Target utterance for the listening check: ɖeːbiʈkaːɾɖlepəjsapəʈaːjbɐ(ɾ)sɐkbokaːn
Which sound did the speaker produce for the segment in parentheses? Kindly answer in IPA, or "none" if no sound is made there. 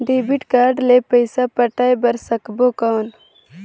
ɾ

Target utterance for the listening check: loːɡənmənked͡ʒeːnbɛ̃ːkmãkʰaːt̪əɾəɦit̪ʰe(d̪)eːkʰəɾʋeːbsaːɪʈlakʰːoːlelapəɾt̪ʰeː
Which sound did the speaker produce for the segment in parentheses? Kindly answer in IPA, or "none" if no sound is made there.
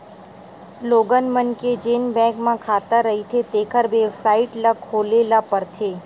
t̪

